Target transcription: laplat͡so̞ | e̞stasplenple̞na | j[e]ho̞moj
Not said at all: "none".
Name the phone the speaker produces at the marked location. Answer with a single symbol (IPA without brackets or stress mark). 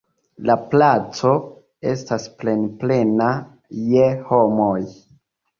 e